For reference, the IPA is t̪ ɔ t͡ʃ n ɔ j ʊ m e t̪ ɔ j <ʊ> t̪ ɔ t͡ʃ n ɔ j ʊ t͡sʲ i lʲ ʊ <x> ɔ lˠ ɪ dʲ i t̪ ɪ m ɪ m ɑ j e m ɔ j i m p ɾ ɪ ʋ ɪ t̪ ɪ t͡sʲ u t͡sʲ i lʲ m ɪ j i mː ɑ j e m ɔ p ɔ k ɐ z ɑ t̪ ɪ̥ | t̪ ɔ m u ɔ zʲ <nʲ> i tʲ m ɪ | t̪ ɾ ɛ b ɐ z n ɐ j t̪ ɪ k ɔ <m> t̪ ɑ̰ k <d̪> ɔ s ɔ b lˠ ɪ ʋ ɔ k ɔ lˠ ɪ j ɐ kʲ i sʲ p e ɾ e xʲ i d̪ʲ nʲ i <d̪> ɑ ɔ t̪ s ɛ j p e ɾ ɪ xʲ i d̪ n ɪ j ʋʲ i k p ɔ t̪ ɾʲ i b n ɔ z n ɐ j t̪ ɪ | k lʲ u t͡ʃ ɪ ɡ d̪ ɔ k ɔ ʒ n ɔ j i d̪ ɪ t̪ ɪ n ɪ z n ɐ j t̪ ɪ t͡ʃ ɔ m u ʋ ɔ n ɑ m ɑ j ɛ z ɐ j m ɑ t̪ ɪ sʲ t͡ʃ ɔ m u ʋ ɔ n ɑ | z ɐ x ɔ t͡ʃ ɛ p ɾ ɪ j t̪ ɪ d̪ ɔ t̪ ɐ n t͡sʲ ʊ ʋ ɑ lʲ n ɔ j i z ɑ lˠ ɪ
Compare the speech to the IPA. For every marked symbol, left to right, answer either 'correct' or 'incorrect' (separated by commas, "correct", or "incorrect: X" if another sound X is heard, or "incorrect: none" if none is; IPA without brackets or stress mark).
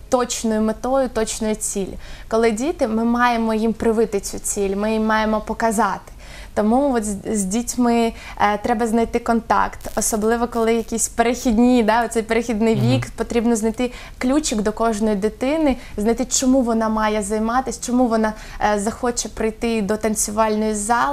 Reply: correct, incorrect: k, incorrect: dʲ, incorrect: n, incorrect: t̪, correct